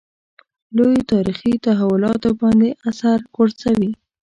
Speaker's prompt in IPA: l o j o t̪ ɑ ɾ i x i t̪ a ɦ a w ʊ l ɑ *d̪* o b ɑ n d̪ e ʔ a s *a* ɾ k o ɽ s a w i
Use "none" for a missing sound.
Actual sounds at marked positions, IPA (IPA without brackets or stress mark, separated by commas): t̪, a